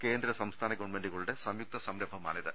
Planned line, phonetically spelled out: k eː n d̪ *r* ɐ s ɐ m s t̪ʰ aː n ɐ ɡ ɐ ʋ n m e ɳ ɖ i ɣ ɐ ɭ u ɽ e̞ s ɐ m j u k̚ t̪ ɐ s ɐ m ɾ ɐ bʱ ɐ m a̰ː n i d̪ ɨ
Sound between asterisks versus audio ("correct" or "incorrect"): incorrect